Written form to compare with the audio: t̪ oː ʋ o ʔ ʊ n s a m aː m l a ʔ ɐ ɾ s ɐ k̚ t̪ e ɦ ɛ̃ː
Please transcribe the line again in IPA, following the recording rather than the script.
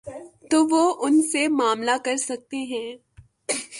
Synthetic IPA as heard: t̪ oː ʋ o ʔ ʊ n s e m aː m l a k ɐ ɾ s ɐ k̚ t̪ e ɦ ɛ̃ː